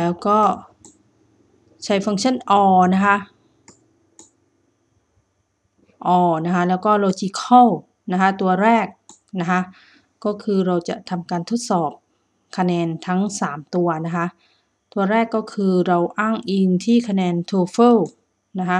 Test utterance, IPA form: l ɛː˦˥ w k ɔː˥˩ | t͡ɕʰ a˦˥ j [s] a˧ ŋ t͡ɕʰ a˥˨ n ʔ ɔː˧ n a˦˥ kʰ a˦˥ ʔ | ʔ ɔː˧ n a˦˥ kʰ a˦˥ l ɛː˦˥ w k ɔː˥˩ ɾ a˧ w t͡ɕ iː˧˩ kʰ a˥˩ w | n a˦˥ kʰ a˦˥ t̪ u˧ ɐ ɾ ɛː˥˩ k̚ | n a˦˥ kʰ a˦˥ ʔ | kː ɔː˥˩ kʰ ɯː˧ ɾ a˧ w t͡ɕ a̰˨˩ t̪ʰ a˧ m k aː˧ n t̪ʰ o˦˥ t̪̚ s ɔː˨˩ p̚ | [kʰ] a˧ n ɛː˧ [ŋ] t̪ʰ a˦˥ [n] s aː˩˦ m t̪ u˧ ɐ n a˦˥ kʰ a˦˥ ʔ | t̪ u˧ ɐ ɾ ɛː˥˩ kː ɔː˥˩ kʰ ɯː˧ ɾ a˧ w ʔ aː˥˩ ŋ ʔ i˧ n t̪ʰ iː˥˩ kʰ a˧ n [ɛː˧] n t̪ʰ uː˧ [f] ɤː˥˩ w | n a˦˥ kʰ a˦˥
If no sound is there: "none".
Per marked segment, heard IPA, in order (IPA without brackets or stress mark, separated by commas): f, kʰ, n, ŋ, ɛː˧, f